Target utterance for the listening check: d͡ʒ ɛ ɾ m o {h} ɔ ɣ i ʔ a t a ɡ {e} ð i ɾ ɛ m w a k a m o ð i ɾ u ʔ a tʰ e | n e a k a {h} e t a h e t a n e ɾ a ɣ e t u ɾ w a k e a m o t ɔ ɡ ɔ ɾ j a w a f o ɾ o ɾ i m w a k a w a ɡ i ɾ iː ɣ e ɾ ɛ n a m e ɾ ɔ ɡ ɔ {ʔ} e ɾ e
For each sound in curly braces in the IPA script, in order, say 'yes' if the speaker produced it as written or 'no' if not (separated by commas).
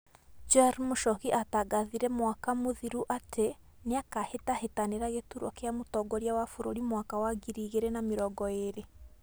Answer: no, no, yes, no